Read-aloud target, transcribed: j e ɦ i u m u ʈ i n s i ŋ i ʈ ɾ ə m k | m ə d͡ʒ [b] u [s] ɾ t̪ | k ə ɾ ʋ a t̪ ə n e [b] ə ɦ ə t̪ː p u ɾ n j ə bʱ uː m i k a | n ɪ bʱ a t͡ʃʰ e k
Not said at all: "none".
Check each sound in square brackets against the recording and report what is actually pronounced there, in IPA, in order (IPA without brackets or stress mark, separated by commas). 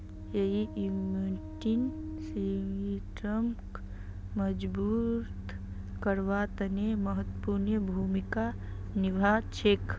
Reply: b, none, m